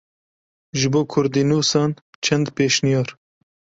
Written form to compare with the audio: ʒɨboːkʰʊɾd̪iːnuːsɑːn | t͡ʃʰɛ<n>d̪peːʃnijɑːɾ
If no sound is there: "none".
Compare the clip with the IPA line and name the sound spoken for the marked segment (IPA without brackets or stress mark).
n